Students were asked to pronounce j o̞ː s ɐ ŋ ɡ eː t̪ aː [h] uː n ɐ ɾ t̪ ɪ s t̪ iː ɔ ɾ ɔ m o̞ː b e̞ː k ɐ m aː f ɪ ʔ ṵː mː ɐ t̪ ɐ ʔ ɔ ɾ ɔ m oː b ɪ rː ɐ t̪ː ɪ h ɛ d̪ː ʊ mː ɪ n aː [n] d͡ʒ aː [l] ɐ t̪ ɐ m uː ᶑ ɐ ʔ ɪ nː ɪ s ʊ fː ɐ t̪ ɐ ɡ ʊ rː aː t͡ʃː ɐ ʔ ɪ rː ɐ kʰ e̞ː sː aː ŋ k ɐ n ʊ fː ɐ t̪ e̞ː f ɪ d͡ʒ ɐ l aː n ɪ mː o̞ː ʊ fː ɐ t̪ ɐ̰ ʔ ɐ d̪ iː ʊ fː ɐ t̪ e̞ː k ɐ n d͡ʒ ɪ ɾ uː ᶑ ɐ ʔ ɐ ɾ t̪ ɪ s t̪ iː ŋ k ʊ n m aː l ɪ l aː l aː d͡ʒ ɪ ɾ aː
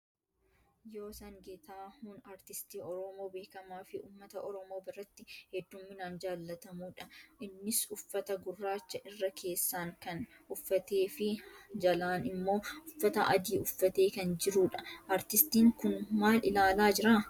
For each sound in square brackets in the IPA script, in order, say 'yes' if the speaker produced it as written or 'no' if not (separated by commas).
yes, yes, no